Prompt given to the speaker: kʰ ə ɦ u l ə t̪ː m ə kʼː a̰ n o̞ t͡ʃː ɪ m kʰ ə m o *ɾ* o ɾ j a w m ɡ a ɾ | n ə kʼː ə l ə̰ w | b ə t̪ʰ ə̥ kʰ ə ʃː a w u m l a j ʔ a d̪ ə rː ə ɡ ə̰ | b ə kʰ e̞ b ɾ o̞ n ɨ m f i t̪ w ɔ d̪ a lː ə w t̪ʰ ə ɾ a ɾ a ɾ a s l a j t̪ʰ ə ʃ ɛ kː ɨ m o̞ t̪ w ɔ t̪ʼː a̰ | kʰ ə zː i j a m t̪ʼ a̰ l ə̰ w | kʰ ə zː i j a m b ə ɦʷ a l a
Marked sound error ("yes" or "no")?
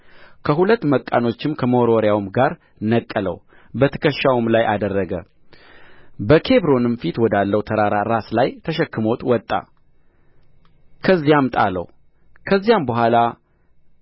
no